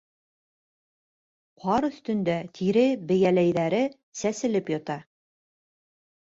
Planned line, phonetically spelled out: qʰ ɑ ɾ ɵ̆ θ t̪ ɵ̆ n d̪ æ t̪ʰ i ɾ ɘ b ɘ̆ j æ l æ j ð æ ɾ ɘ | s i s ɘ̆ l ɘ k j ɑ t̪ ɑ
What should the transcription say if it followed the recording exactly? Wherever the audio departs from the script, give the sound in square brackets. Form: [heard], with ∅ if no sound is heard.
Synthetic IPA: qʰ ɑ ɾ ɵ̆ θ t̪ ɵ̆ n d̪ æ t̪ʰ i ɾ ɘ b ɘ̆ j æ l æ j ð æ ɾ ɘ | s [æ] s ɘ̆ l ɘ [p] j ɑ t̪ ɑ